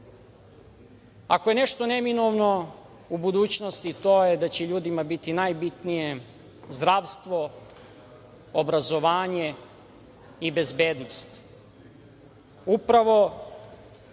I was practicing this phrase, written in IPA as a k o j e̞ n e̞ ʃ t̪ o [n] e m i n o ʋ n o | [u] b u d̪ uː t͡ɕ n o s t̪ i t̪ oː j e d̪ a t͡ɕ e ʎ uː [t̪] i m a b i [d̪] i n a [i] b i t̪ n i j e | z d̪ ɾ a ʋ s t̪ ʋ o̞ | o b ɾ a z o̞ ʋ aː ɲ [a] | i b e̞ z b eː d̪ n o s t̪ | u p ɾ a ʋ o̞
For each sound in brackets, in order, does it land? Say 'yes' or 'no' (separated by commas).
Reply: yes, yes, no, no, no, no